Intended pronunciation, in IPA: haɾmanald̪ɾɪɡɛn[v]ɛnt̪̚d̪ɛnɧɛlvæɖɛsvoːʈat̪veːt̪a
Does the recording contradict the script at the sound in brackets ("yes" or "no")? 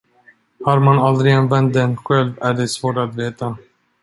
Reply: no